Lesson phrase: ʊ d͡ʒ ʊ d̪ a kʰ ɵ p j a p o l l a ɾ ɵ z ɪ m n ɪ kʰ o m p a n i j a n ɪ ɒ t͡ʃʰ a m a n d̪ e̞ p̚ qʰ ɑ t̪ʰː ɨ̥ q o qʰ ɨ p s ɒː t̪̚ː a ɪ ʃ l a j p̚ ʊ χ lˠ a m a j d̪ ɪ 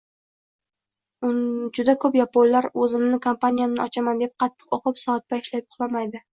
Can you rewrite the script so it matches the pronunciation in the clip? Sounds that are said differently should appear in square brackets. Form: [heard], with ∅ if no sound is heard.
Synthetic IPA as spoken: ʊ d͡ʒ ʊ d̪ a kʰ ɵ p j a p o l l a ɾ ɵ z ɪ m n ɪ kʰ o m p a n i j a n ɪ ɒ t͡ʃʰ a m a n d̪ e̞ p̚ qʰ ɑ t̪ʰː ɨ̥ q o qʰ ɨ p s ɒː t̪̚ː a ɪ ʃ l a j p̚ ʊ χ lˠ a m a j d̪ ɪ